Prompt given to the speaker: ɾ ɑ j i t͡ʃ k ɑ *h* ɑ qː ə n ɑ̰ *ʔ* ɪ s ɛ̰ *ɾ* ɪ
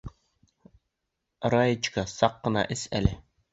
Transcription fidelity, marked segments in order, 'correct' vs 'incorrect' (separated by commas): incorrect, correct, incorrect